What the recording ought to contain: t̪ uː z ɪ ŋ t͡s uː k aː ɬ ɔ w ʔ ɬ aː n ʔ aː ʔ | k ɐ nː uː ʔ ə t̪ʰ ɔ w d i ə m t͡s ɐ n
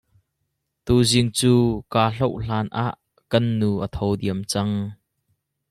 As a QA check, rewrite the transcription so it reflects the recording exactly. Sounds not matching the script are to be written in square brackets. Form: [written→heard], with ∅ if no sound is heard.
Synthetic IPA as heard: t̪ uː z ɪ ŋ t͡s uː k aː ɬ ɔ w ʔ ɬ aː n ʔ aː ʔ | k ɐ nː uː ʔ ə t̪ʰ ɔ w d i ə m t͡s ɐ [n→ŋ]